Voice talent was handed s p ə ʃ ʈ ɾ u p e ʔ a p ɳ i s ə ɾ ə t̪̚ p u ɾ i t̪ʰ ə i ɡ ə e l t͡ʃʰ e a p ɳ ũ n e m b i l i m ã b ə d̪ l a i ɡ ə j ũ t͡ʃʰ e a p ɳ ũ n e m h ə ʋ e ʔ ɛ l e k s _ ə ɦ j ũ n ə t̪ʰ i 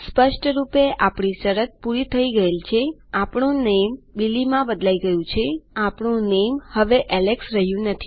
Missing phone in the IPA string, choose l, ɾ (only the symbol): ɾ